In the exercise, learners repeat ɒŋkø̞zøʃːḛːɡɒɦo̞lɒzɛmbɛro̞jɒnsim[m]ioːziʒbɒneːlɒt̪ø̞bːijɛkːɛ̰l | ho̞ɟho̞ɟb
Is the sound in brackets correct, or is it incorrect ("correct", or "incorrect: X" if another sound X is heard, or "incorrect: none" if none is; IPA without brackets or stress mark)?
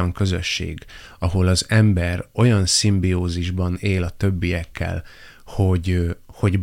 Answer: incorrect: b